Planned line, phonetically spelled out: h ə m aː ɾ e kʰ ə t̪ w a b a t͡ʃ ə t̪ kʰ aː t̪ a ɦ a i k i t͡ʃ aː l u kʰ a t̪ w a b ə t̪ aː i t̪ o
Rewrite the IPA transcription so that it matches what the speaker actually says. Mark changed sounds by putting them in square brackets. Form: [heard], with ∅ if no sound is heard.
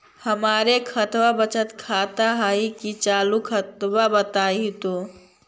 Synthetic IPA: h ə m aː ɾ e kʰ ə t̪ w a b [ə] t͡ʃ ə t̪ kʰ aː t̪ a ɦ a i k i t͡ʃ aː l u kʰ [ə] t̪ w a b ə t̪ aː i t̪ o

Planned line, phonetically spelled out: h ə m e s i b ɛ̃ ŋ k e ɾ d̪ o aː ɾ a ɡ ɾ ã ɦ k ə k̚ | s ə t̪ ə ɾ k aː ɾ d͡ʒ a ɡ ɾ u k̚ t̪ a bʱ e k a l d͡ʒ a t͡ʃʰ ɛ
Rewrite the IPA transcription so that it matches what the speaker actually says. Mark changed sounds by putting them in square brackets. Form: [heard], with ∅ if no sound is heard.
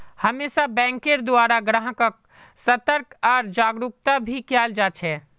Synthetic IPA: h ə m e s [a] b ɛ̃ ŋ k e ɾ d̪ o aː ɾ a ɡ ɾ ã ɦ k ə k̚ | s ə t̪ ə ɾ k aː ɾ d͡ʒ a ɡ ɾ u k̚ t̪ a bʱ [i] k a l d͡ʒ a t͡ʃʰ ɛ

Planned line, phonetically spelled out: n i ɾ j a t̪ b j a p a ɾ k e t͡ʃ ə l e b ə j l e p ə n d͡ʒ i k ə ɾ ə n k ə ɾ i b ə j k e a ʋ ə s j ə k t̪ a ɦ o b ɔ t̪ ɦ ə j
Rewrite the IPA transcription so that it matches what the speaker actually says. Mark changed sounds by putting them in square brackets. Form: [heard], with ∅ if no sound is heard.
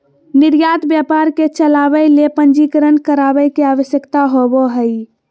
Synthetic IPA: n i ɾ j a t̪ b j a p a ɾ k e t͡ʃ ə l [a] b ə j l e p ə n d͡ʒ i k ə ɾ ə n k ə ɾ [a] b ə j k e a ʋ ə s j ə k t̪ a ɦ o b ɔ [∅] ɦ ə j

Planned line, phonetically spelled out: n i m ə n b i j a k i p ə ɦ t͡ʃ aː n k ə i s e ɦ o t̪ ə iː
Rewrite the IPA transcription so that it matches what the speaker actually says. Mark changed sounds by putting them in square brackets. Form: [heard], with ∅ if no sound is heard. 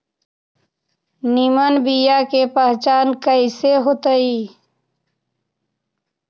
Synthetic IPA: n i m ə n b i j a k [e] p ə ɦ t͡ʃ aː n k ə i s e ɦ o t̪ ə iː

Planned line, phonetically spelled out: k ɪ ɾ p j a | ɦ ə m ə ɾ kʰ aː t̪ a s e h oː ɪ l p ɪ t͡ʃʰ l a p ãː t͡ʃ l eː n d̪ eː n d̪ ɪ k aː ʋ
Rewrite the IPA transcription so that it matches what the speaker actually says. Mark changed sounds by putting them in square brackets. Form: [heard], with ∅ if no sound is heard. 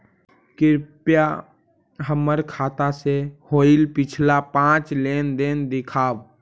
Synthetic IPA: k ɪ ɾ p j a | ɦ ə m ə ɾ kʰ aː t̪ a s e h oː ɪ l p ɪ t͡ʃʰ l a p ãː t͡ʃ l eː n d̪ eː n d̪ ɪ [kʰ] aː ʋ

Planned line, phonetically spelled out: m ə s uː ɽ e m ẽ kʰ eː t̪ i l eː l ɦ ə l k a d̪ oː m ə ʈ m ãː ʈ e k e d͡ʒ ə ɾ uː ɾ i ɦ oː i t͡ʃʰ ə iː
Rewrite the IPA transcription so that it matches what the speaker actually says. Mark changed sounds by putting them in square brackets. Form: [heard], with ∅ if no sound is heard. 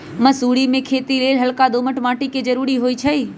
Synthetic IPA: m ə s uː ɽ [i] m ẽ kʰ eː t̪ i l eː l ɦ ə l k a d̪ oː m ə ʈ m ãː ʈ [i] k e d͡ʒ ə ɾ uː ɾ i ɦ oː i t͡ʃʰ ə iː

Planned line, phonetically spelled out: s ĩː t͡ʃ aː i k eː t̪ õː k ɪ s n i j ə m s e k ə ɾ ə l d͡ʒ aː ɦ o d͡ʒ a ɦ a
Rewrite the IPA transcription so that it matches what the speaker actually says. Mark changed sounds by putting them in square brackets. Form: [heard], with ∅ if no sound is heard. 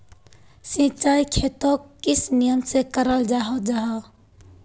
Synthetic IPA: s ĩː t͡ʃ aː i [kʰ] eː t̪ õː k ɪ s n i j ə m s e k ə ɾ ə l d͡ʒ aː ɦ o d͡ʒ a ɦ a

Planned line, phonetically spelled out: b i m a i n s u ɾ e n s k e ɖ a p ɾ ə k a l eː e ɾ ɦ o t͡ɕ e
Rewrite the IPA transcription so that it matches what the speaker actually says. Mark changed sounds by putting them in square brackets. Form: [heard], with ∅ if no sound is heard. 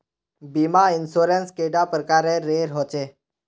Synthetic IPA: b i m a i n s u ɾ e n s k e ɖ a p ɾ ə k a [ɾ] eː e ɾ ɦ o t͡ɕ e

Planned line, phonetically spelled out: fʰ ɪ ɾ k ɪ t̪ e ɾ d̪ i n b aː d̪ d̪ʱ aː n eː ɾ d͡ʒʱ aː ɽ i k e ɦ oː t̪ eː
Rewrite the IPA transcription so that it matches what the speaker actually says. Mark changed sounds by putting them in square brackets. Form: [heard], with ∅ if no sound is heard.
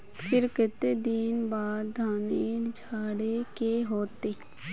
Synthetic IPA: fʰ ɪ ɾ k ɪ t̪ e [∅] d̪ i n b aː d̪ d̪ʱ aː n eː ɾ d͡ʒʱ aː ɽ [e] k e ɦ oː t̪ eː

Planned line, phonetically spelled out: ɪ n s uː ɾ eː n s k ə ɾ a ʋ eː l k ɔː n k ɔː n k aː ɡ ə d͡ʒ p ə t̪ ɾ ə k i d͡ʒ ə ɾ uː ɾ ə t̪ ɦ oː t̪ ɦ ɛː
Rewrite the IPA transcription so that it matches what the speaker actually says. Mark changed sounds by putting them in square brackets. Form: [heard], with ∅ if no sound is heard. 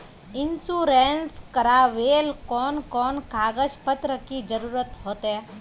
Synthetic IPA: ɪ n s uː ɾ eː n s k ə ɾ a ʋ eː l k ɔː n k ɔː n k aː ɡ ə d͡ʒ p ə t̪ ɾ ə k i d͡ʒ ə ɾ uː ɾ ə t̪ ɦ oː t̪ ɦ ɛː

